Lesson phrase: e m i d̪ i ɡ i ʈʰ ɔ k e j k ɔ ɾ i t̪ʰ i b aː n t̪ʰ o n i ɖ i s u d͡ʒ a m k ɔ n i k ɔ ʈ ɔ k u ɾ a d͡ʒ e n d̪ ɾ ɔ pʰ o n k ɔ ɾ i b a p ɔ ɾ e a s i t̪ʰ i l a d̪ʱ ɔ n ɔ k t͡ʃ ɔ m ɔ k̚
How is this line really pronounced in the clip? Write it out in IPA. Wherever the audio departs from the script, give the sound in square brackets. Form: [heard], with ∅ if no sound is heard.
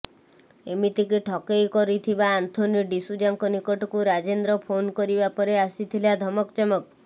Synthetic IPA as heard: e m i [t̪] i [k] i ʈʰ ɔ k e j k ɔ ɾ i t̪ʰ i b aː n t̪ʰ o n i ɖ i s u d͡ʒ a [ŋ] k ɔ n i k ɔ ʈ ɔ k u ɾ a d͡ʒ e n d̪ ɾ ɔ pʰ o n k ɔ ɾ i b a p ɔ ɾ e a s i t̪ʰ i l a d̪ʱ ɔ [m] ɔ k t͡ʃ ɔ m ɔ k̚